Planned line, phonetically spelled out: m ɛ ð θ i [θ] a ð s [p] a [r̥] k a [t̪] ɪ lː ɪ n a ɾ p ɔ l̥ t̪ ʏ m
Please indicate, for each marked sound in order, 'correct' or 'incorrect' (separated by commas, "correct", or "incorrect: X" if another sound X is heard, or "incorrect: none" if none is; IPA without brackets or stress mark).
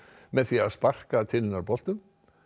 incorrect: none, correct, correct, incorrect: t̪ʰ